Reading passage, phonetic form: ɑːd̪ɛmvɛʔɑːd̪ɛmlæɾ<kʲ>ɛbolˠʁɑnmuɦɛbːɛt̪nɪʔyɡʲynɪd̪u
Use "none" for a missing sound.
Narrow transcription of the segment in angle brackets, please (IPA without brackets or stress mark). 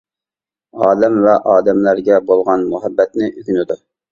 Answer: ɡʲ